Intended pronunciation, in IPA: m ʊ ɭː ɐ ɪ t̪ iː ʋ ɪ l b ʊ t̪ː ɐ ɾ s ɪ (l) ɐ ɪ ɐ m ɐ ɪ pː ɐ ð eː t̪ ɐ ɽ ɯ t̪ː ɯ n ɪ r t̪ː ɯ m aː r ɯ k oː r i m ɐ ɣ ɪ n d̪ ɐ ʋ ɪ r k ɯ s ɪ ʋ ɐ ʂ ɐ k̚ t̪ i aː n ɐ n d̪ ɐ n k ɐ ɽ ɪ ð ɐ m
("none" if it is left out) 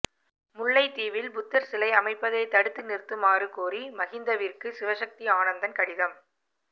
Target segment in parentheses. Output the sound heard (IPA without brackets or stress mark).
l